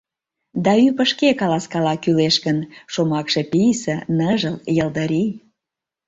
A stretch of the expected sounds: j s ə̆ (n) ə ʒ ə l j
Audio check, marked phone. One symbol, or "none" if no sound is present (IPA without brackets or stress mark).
n